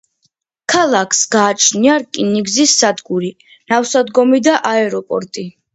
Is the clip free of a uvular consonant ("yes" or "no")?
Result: yes